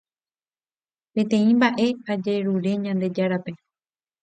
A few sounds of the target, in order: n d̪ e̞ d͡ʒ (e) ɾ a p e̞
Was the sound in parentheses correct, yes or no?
no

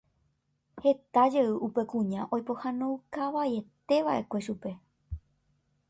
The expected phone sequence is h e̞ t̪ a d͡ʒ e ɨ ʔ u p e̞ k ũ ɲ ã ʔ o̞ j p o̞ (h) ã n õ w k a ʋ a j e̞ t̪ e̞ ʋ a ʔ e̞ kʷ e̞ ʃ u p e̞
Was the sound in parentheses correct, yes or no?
yes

